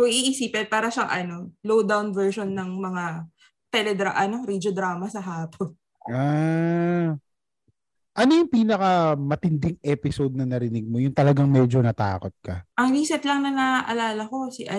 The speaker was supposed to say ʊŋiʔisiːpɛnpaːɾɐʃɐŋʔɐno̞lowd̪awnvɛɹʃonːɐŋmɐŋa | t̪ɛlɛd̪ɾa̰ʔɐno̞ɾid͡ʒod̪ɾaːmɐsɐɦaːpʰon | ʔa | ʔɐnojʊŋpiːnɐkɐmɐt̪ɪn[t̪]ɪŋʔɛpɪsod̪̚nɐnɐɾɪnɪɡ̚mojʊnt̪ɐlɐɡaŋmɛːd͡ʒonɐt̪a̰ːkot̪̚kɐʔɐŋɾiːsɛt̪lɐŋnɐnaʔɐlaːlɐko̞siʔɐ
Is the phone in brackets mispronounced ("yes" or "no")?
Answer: yes